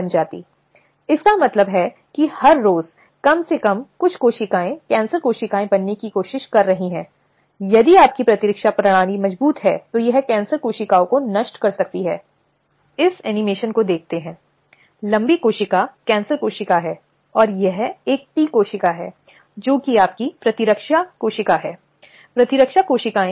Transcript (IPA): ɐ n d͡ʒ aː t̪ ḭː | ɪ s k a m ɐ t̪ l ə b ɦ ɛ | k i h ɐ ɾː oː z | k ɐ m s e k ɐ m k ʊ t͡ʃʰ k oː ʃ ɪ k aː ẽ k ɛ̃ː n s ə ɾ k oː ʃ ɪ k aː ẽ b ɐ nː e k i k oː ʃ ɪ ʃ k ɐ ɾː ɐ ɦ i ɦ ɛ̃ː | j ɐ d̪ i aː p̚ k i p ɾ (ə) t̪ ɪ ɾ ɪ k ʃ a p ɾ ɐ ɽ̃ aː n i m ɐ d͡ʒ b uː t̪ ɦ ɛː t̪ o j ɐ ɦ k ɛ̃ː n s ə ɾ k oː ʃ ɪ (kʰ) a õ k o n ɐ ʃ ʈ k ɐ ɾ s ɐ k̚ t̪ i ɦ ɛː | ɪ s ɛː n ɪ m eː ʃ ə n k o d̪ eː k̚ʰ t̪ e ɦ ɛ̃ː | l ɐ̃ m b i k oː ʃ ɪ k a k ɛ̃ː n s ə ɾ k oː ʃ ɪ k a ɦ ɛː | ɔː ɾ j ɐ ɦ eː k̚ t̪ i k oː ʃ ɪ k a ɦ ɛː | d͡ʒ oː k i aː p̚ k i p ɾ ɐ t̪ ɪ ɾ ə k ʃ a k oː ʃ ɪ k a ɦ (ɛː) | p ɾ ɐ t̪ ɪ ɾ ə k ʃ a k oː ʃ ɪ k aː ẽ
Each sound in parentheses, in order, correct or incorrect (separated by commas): incorrect, incorrect, correct